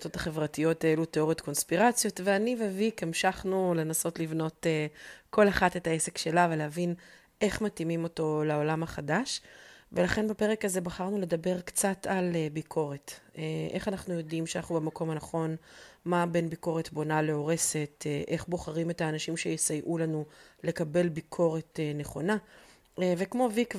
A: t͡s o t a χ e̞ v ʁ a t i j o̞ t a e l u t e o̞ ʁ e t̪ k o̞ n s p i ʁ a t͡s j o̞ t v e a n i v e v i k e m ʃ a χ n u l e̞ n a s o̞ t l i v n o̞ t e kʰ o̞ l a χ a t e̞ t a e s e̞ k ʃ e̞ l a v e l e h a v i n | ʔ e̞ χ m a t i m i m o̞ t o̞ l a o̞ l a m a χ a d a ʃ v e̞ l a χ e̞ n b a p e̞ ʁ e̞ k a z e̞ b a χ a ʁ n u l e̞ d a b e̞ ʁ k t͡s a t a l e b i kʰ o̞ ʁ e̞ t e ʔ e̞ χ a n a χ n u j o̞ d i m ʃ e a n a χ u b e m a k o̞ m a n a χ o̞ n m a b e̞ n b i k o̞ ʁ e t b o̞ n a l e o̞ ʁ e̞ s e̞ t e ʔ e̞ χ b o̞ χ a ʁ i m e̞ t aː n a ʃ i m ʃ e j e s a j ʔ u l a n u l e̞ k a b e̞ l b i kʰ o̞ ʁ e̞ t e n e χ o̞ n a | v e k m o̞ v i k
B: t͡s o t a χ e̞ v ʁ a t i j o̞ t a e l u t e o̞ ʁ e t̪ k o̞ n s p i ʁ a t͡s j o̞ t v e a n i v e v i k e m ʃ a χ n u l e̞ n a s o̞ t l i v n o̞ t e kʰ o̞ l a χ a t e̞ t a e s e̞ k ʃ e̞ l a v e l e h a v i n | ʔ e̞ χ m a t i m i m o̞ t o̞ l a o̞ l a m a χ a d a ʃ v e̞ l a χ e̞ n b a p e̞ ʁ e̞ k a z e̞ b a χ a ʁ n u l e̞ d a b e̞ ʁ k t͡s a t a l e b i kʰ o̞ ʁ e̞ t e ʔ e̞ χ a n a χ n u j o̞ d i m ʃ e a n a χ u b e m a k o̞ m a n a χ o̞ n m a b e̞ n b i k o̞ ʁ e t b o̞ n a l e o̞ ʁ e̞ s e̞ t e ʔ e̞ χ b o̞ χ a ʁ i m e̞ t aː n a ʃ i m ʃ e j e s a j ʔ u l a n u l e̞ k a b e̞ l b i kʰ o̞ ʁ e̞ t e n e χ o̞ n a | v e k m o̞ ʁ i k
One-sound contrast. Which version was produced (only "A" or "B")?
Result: A